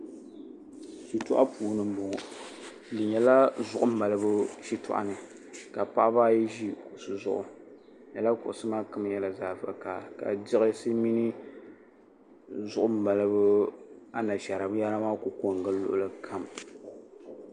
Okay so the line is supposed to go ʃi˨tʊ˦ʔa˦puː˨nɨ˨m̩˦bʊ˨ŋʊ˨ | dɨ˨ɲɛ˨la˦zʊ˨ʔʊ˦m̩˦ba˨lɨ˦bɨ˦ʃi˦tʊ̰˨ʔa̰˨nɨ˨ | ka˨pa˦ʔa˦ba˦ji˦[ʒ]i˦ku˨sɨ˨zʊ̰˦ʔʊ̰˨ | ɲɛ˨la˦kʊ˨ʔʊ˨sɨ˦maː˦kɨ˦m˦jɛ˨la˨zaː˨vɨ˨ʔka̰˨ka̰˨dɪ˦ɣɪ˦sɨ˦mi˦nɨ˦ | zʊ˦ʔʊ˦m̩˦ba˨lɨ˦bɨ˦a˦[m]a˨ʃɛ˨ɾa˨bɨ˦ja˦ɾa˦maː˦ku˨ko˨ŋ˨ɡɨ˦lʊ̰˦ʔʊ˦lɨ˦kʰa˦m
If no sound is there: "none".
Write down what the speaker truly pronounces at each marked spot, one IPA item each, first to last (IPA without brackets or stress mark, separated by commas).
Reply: ʒ, n